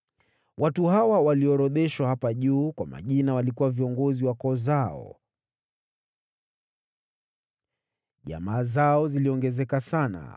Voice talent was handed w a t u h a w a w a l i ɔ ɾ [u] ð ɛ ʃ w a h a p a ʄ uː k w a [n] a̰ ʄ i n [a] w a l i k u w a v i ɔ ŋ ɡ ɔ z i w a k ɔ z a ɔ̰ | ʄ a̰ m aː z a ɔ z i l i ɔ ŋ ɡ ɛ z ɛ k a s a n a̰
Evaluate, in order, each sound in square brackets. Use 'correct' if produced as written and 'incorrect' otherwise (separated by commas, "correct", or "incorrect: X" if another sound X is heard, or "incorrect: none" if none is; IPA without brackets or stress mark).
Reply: incorrect: ɔ, incorrect: m, correct